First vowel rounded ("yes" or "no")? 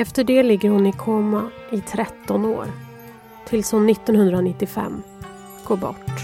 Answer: no